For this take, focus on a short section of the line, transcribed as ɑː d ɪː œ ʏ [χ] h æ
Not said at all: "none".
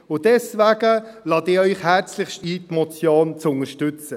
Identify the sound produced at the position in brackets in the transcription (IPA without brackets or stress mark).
χ